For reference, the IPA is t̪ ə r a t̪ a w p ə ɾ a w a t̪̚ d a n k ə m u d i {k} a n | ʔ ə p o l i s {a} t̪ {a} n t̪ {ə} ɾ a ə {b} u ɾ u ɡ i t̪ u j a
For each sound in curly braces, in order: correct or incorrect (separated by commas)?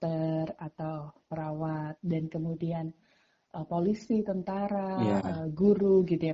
incorrect, incorrect, incorrect, incorrect, incorrect